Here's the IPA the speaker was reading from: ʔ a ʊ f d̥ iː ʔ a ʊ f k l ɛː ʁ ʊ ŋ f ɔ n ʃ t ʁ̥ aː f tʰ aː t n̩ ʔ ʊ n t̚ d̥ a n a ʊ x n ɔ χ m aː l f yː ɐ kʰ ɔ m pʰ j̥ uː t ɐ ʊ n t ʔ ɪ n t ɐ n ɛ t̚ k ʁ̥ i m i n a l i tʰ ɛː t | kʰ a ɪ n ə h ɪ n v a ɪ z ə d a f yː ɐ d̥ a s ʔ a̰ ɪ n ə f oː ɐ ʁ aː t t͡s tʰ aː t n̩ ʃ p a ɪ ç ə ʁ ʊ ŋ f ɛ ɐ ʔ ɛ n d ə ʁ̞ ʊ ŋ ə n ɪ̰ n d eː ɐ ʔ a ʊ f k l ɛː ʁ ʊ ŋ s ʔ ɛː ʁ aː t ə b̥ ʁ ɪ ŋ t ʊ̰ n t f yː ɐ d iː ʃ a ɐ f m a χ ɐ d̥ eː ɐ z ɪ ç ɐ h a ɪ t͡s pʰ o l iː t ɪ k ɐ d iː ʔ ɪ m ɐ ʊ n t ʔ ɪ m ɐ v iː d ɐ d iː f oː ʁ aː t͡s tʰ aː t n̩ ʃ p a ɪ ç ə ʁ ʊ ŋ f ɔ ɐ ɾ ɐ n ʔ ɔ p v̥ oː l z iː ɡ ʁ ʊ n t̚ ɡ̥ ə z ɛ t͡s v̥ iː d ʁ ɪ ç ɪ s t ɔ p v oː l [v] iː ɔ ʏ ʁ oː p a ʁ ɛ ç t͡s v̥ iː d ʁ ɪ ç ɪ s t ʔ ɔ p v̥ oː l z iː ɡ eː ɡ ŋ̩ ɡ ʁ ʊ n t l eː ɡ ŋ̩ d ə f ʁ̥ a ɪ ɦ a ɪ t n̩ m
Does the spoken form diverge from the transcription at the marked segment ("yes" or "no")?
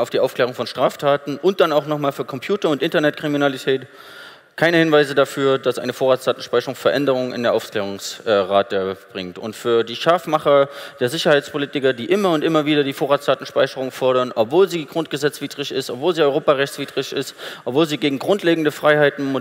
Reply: yes